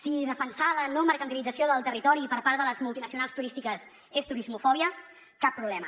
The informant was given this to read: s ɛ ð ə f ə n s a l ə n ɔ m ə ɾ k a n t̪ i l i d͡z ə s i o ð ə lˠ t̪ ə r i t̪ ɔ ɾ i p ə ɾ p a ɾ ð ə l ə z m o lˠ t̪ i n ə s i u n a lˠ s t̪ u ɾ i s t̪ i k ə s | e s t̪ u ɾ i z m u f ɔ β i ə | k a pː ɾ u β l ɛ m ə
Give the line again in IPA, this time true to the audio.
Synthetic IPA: s i ð ə f ə n s a l ə n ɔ m ə ɾ k ə n t̪ i l i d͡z ə s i o ð ə lˠ t̪ ə r i t̪ ɔ ɾ i p ə ɾ p a ɾ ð ə l ə z m u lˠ t̪ i n ə s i u n a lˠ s t̪ u ɾ i s t̪ i k ə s | e s t̪ u ɾ i z m u f ɔ β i ə | k a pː ɾ u β l ɛ m ə